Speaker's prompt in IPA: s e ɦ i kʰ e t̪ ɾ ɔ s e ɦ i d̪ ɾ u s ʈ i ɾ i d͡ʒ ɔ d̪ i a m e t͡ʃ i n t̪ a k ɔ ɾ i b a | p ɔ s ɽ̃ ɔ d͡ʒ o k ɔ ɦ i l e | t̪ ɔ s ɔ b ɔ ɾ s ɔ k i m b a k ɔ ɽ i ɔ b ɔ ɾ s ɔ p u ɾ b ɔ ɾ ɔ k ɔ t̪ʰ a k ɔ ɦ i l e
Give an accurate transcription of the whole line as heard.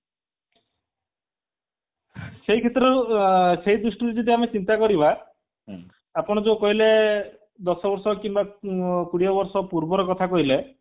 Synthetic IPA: s e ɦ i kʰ e t̪ ɾ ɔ s e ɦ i d̪ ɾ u s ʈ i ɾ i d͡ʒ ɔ d̪ i a m e t͡ʃ i n t̪ a k ɔ ɾ i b a | p ɔ ɽ̃ ɔ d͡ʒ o k ɔ ɦ i l e | d̪ ɔ s ɔ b ɔ ɾ s ɔ k i m b a k u ɽ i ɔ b ɔ ɾ s ɔ p u ɾ b ɔ ɾ ɔ k ɔ t̪ʰ a k ɔ ɦ i l e